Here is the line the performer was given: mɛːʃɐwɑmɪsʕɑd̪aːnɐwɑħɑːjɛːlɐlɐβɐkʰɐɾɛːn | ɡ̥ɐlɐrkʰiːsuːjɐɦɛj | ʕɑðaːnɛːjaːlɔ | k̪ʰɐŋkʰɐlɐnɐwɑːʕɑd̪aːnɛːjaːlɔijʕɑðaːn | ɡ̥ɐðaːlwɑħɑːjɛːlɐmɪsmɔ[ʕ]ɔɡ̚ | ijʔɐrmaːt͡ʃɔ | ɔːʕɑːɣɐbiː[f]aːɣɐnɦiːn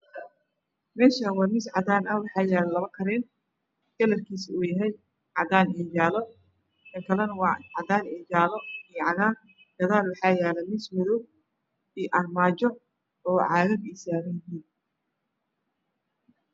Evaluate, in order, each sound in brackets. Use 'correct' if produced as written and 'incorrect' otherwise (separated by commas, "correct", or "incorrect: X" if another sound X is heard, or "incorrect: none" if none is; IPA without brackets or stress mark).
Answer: incorrect: ð, incorrect: s